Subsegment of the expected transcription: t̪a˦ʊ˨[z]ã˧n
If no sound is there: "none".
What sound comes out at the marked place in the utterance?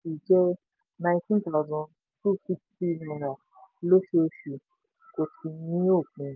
z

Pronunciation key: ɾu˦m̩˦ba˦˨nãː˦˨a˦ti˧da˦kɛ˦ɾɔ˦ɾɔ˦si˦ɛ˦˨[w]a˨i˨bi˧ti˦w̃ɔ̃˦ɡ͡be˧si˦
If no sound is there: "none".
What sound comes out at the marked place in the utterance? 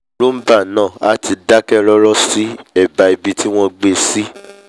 b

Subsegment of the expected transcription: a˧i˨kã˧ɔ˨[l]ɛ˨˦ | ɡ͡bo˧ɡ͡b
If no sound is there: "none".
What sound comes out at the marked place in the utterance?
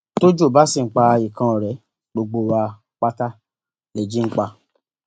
ɾ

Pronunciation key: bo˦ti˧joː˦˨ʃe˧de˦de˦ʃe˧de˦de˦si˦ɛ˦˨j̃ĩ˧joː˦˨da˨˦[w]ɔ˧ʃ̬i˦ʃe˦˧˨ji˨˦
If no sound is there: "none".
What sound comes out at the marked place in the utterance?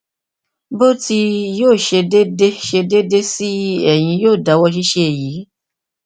w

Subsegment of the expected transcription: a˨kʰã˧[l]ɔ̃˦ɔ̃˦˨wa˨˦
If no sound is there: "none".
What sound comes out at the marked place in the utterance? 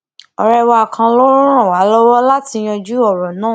l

